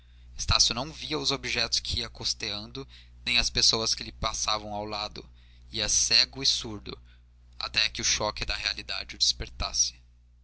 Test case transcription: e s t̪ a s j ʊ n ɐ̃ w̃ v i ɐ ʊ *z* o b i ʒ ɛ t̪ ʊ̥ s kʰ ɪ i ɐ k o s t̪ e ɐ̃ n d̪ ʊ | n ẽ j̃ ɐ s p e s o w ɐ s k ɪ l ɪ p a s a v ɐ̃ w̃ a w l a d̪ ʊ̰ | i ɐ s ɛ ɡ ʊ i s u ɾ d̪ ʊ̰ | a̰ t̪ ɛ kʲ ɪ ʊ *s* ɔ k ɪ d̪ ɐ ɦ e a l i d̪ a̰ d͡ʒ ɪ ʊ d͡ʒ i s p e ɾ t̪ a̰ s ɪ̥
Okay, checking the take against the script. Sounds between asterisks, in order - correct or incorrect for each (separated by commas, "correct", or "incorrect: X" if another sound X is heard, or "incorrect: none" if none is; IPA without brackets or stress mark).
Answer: correct, incorrect: ʃ